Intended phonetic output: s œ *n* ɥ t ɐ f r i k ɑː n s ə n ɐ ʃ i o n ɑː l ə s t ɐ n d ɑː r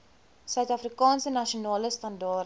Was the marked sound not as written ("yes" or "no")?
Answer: yes